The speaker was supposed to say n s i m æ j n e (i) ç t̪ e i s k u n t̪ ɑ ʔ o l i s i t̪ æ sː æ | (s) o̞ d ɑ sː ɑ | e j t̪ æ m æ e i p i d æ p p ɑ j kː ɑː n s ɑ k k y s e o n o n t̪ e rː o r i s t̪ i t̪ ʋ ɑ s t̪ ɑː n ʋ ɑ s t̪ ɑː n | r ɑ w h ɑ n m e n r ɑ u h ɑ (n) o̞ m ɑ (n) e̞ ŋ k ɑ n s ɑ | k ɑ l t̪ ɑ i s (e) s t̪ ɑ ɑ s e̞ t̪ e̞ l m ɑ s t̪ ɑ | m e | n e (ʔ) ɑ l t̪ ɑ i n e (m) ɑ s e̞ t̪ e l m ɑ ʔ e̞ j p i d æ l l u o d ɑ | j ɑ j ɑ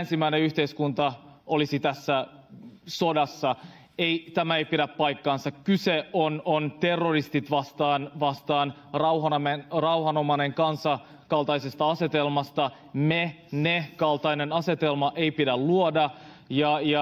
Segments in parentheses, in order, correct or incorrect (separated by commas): incorrect, correct, correct, correct, correct, incorrect, incorrect